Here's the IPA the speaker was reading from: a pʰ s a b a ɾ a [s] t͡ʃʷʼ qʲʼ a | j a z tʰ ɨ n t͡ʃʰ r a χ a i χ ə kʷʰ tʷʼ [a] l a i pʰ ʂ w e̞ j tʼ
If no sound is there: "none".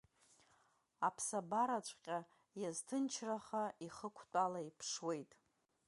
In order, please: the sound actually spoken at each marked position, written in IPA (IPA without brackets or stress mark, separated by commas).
none, a